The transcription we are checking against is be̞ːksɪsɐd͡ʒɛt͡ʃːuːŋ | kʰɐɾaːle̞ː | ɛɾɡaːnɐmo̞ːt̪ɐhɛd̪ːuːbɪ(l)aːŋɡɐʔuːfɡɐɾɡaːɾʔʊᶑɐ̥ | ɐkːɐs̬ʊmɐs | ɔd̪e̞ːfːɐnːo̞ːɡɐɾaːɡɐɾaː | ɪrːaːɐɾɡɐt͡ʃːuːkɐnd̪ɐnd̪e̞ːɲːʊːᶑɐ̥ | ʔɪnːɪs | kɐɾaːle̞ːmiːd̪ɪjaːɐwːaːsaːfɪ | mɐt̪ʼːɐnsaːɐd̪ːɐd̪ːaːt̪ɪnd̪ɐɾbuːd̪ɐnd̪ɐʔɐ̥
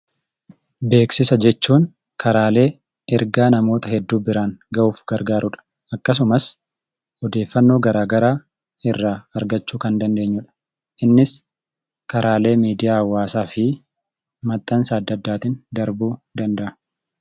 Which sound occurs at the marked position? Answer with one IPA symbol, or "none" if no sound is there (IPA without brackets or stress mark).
ɾ